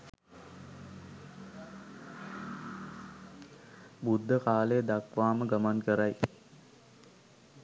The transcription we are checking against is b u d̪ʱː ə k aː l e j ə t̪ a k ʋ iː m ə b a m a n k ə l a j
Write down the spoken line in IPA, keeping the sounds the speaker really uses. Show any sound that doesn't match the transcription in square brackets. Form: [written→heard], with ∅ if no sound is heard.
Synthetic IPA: b u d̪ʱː ə k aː l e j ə [t̪→d̪] a k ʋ [iː→aː] m ə [b→ɡ] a m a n k ə [l→ɾ] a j